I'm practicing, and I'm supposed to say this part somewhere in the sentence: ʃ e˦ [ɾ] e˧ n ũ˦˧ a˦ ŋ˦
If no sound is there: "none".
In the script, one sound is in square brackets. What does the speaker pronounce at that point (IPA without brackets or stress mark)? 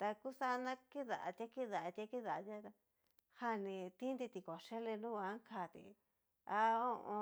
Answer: l